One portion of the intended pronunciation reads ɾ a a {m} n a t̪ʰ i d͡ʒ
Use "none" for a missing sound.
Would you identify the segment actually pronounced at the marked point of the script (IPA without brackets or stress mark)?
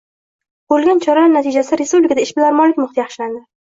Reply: none